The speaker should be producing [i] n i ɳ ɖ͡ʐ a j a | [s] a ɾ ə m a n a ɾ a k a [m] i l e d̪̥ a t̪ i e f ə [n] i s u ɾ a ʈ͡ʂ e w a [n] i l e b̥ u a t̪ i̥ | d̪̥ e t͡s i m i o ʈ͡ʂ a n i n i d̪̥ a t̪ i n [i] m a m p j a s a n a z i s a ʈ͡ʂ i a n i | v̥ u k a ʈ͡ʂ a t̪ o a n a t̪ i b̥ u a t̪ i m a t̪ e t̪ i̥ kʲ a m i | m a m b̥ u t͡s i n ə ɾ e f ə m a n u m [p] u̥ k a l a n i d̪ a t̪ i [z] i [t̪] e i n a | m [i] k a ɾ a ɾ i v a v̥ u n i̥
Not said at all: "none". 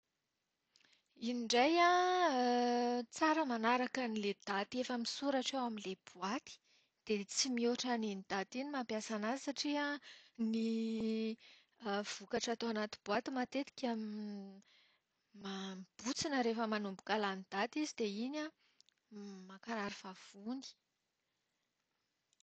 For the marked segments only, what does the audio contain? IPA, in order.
i, t͡s, n, m, m, i, b, z, d̪, a

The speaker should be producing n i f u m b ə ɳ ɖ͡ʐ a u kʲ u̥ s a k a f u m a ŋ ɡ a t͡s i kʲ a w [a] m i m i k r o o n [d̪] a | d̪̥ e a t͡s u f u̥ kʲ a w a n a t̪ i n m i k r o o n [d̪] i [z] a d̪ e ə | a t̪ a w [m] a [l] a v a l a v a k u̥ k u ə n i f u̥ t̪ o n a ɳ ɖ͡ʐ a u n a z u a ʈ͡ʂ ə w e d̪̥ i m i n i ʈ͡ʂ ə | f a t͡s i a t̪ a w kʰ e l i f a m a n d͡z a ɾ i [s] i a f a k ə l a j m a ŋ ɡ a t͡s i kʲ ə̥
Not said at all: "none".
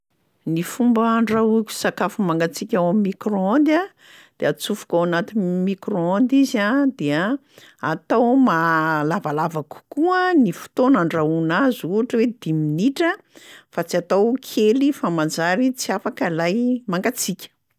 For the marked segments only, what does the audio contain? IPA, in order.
a, d̪, d̪, z, m, l, t͡s

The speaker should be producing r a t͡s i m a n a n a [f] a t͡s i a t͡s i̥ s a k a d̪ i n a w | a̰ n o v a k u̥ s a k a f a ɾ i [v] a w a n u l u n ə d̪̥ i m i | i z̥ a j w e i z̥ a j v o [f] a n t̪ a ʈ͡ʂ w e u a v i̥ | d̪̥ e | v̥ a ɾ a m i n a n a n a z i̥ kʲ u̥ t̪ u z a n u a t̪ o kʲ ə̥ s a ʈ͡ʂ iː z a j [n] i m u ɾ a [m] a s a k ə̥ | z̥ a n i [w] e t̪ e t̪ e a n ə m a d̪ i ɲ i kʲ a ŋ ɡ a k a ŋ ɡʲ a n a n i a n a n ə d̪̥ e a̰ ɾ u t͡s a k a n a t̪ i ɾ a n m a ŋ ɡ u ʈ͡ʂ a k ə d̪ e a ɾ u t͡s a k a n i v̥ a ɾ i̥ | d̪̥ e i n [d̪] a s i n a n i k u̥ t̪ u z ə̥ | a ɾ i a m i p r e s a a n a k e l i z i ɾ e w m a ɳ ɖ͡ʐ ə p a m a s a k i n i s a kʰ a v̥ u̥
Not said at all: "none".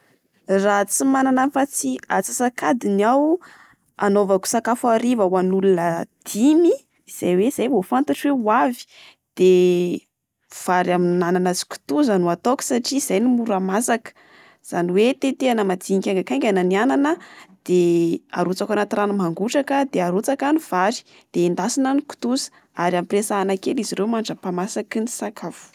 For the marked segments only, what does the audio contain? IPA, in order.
f, v, f, n, m, w, d̪

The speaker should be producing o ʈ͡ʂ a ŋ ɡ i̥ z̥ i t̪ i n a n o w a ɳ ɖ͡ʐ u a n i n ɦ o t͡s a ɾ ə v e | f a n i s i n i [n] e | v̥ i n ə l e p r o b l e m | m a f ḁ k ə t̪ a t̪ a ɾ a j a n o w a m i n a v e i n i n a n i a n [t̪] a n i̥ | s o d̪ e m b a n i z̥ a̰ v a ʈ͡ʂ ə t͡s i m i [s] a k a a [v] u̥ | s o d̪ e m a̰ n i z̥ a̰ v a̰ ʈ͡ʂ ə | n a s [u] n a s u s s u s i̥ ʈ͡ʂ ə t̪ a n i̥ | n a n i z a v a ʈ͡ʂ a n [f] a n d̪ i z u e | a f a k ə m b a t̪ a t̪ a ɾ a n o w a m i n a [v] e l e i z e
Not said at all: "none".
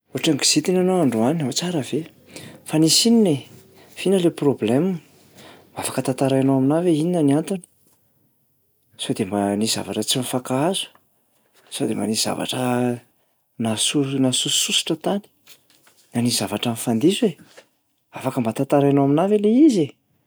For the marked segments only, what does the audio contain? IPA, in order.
n, t̪, f, z, u, f, v

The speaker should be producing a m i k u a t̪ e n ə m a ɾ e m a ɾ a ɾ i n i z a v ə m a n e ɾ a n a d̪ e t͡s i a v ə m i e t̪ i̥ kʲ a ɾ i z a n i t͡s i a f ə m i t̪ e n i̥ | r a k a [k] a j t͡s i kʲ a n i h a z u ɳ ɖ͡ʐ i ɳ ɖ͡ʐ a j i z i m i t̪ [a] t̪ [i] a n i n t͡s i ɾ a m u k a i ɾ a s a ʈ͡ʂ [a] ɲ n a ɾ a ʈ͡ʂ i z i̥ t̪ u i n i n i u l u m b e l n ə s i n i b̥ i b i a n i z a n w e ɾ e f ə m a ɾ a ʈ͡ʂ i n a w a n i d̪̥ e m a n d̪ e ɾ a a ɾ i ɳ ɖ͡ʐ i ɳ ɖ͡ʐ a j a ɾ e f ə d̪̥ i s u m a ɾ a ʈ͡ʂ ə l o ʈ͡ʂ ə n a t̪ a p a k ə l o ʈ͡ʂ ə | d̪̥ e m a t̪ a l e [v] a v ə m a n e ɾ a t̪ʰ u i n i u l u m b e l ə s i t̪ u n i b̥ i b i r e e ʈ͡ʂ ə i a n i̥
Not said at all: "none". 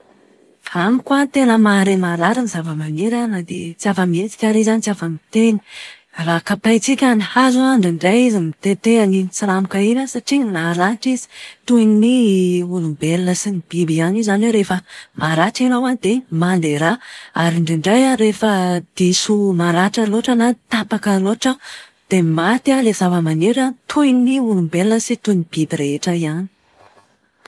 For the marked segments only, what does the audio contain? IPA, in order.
p, e, e, i, z

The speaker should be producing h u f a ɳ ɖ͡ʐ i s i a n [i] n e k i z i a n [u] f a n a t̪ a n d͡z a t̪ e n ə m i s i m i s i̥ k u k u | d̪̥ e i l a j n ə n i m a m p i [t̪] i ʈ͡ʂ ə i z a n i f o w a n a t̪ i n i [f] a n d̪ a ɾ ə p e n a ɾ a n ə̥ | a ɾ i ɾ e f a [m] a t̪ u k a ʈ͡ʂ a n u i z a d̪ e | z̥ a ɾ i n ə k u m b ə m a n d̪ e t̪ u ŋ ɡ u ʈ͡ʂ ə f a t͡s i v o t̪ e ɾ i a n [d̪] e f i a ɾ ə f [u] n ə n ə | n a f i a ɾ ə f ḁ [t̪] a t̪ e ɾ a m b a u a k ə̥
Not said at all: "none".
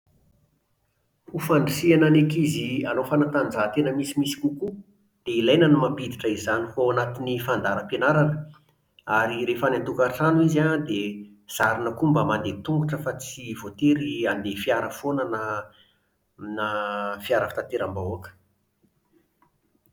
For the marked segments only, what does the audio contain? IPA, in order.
a, o, d̪, f, n, d̪, o, t̪

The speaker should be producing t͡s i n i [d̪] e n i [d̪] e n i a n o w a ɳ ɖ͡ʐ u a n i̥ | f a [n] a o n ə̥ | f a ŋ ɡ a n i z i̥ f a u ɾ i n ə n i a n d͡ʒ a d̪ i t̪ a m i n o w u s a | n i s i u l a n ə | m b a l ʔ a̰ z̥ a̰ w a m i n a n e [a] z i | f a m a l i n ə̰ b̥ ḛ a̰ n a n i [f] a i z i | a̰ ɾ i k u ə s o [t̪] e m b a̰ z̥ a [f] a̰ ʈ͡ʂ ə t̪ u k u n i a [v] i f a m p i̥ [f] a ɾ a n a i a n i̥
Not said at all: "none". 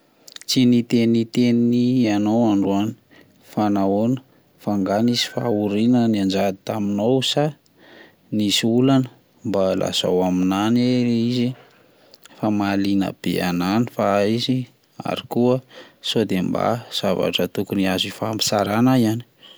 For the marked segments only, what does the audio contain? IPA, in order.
t̪, t̪, n, i, f, d̪, v, z, s

